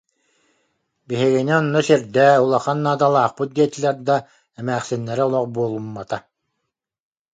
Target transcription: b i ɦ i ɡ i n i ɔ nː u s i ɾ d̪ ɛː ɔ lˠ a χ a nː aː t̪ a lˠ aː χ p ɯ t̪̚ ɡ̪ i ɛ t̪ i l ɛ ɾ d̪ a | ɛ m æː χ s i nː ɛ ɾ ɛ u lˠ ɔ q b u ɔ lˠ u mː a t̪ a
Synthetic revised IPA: b i ɦ i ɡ i n i ɔ nː ɔ s i ɾ d̪ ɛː u lˠ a χ a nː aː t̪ a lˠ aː χ p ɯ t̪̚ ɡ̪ i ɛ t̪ i l ɛ ɾ d̪ a | ɛ m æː χ s i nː ɛ ɾ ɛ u lˠ ɔ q b u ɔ lˠ u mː a t̪ a